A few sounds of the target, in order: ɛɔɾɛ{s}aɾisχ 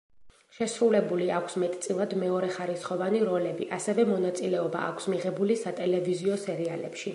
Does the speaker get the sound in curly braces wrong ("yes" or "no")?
yes